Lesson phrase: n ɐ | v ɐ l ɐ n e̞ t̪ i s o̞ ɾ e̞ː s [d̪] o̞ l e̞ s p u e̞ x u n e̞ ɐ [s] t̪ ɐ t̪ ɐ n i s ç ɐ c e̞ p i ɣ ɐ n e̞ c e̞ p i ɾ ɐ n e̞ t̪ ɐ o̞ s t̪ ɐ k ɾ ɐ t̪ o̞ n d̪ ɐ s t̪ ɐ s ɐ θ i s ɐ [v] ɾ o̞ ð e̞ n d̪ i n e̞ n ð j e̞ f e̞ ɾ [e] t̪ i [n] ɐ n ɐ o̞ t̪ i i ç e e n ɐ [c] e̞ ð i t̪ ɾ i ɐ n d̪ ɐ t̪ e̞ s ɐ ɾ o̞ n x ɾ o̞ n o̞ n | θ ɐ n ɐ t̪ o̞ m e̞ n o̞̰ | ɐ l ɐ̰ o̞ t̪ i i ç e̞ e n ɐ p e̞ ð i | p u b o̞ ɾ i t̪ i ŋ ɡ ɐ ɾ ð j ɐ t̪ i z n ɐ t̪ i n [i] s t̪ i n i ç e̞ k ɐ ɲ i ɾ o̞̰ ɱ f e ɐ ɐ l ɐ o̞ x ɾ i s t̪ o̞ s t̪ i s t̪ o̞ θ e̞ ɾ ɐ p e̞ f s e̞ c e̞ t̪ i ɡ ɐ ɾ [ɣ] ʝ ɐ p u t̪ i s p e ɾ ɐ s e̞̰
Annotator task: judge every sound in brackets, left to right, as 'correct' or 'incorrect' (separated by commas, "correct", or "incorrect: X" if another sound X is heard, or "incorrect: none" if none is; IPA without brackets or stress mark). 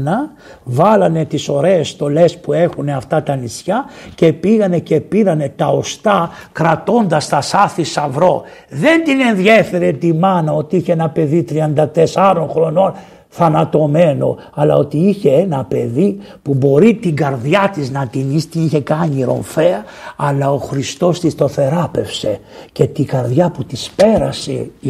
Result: incorrect: t̪, incorrect: f, correct, correct, incorrect: m, incorrect: p, correct, incorrect: ð